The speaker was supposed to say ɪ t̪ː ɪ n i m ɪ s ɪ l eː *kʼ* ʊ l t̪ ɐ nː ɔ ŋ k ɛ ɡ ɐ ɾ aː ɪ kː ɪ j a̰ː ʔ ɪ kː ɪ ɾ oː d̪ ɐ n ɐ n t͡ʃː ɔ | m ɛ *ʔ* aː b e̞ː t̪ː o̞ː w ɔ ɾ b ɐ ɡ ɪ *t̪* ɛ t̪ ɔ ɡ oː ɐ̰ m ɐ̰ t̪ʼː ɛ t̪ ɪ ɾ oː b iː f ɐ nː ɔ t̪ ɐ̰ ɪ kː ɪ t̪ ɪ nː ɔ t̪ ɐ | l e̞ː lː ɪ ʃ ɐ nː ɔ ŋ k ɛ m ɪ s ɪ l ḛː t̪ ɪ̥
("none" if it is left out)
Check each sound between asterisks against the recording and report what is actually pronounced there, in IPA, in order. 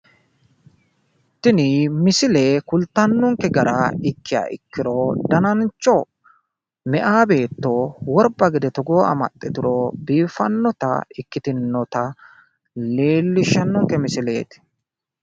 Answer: k, ʔ, d̪

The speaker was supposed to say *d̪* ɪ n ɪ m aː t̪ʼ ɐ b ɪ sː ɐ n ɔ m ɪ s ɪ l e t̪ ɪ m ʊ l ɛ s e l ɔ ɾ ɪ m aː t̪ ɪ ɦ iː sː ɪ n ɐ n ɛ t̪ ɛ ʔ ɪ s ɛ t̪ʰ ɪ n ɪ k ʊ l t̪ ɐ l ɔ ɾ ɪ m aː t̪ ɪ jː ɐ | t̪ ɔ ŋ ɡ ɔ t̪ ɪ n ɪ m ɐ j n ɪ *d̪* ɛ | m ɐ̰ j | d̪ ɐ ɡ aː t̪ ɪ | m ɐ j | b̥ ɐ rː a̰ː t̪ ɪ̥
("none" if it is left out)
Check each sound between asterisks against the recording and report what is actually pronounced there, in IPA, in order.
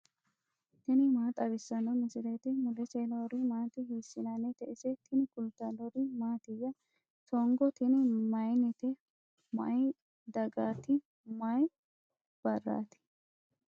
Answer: t̪, t̪

